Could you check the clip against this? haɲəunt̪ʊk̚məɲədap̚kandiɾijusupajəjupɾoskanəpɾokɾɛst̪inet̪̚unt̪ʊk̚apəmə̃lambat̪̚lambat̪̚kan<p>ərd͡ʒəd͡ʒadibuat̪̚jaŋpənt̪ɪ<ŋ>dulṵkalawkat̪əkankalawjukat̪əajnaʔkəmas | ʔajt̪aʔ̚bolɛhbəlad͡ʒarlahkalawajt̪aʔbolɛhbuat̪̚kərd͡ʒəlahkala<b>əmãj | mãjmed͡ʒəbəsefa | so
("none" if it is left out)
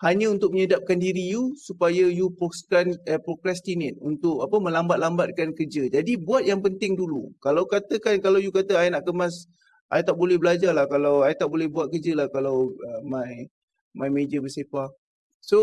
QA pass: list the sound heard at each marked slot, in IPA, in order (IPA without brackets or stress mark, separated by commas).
k, ŋ, w